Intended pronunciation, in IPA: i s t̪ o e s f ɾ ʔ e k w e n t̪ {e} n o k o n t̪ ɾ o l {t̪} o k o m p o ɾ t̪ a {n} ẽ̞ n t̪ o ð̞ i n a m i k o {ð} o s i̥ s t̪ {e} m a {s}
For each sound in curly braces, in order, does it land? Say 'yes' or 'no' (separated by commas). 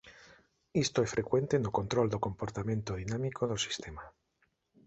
yes, no, no, yes, yes, no